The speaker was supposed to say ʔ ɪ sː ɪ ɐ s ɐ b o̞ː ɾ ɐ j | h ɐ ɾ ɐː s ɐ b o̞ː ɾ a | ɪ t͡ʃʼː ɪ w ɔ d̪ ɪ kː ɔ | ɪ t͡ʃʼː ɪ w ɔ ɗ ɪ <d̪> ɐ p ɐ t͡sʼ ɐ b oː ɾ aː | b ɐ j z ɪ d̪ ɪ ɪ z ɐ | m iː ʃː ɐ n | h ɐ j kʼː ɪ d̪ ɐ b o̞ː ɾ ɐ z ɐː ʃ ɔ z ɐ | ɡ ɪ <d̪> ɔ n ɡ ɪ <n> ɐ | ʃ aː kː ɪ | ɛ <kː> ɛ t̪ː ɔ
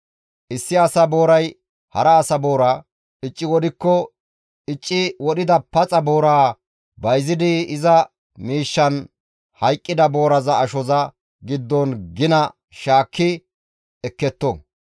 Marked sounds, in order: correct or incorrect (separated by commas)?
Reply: correct, incorrect, correct, correct